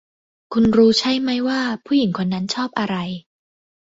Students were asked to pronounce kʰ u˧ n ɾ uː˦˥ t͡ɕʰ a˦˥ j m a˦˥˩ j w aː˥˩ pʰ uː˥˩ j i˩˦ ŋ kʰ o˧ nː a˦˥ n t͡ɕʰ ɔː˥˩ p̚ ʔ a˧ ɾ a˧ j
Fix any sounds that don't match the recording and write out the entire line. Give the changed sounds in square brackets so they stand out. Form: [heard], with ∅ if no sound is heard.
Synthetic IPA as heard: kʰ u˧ n ɾ uː˦˥ t͡ɕʰ a˦˥ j m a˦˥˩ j w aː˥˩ pʰ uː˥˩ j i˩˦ ŋ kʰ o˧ nː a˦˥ n t͡ɕʰ ɔː˥˩ p̚ ʔ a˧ ɾ a˧ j